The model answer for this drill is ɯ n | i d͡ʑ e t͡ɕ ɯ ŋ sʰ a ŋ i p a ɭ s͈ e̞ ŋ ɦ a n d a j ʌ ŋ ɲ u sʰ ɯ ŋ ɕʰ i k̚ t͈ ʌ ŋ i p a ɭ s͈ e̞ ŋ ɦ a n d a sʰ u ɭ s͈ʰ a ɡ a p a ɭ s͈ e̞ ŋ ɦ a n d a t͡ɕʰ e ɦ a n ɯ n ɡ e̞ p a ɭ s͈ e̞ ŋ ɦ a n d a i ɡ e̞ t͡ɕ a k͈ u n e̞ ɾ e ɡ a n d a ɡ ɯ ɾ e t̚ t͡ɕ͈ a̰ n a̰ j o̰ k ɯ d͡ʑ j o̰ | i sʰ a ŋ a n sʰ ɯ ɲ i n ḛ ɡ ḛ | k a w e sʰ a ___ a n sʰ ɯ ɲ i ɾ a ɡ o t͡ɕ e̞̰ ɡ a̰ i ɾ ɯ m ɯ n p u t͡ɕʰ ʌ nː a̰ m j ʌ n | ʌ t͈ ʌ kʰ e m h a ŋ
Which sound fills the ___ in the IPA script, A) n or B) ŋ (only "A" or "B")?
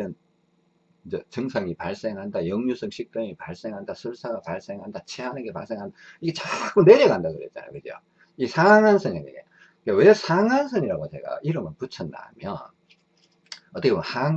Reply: B